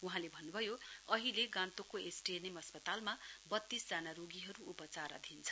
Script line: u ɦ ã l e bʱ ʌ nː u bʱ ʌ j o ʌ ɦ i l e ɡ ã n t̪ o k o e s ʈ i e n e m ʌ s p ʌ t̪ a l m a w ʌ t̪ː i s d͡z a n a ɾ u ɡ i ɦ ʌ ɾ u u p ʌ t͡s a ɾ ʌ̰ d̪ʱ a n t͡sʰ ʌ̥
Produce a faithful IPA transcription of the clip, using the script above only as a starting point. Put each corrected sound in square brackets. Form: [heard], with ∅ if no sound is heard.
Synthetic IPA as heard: u ɦ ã l e bʱ ʌ nː u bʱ ʌ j o ʌ ɦ i l e ɡ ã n t̪ o k o e s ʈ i e n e m ʌ s p ʌ t̪ a l m a [b] ʌ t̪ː i s d͡z a n a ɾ [o] ɡ i ɦ ʌ ɾ u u p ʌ t͡s a ɾ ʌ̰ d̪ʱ [i] n t͡sʰ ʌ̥